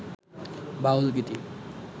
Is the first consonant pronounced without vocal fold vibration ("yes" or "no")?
no